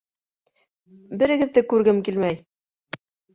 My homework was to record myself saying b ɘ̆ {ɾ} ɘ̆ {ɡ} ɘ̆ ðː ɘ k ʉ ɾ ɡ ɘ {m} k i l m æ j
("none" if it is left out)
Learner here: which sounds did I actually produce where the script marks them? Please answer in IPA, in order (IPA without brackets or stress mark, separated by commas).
ɾ, ɡ, m